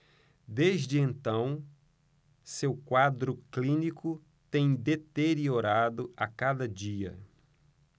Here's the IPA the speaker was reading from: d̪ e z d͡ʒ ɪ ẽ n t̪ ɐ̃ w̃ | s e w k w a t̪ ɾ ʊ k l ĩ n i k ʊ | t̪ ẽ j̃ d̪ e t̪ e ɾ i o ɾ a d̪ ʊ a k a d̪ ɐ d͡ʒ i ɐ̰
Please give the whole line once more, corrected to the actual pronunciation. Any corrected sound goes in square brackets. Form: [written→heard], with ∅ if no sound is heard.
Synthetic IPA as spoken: d̪ e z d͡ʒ ɪ ẽ n t̪ ɐ̃ w̃ | s e w k w a [t̪→d̪] ɾ ʊ k l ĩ n i k ʊ | t̪ ẽ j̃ d̪ e t̪ e ɾ i o ɾ a d̪ ʊ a k a d̪ ɐ d͡ʒ i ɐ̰